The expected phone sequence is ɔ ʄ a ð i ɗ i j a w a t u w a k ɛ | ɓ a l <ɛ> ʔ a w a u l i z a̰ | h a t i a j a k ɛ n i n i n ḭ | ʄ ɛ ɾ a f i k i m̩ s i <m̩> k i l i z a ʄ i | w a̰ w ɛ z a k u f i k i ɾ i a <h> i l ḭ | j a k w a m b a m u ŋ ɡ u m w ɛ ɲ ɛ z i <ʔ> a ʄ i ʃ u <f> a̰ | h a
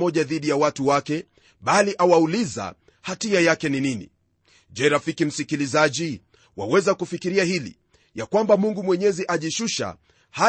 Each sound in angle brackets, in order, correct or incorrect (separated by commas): incorrect, incorrect, correct, correct, incorrect